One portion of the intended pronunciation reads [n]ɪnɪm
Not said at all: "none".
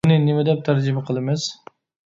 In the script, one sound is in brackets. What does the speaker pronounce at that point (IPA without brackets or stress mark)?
n